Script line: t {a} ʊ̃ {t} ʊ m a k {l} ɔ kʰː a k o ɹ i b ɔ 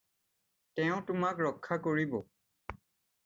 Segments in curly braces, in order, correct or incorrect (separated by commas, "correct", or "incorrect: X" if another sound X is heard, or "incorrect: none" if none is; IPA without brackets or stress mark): incorrect: ɛ, correct, incorrect: ɹ